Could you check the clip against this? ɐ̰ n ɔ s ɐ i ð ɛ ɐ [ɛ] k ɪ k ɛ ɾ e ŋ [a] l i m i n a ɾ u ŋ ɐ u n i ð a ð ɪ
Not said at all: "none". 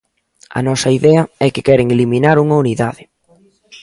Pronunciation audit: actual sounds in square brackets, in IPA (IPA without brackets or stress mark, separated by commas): ɛ, e